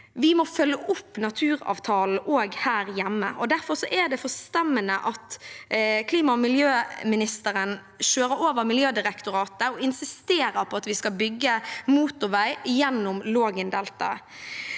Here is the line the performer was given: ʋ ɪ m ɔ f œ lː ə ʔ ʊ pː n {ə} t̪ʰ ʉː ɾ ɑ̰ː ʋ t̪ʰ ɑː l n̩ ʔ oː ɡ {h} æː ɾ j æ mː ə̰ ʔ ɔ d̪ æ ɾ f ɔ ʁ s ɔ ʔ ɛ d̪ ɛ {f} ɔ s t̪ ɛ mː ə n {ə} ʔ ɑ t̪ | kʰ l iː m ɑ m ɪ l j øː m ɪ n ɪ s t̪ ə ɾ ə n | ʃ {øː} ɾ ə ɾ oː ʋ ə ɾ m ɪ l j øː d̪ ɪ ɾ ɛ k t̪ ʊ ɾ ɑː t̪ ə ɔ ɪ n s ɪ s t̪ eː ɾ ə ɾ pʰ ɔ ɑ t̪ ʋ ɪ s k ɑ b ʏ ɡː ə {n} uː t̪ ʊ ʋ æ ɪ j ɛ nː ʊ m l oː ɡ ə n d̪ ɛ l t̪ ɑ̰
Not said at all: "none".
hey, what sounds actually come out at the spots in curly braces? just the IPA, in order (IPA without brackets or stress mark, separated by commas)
ɑ, h, f, ə, øː, m